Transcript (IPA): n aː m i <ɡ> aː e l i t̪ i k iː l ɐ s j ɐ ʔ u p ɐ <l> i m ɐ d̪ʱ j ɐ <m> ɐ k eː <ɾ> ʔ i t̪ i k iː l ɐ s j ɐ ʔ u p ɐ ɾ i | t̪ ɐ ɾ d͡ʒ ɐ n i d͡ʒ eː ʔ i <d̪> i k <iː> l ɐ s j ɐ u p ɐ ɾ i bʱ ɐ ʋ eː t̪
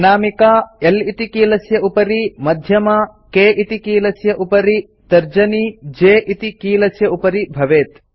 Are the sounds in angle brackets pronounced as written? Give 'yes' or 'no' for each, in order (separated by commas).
no, no, yes, no, no, yes